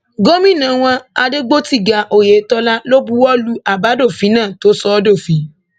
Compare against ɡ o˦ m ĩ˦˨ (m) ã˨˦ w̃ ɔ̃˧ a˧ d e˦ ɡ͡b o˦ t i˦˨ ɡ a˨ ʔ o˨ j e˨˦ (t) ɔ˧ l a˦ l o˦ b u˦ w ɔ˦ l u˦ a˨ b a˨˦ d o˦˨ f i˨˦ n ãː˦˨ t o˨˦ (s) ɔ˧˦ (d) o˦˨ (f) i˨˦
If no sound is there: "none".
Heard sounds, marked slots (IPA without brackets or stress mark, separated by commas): n, t, s, d, f